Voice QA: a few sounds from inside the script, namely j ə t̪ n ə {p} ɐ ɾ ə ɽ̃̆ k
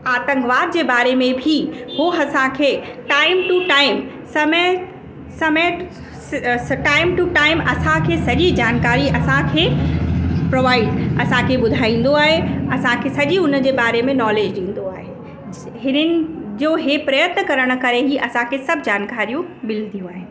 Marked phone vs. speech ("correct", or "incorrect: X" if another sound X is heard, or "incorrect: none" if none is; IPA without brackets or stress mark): incorrect: k